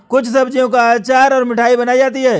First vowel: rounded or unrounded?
rounded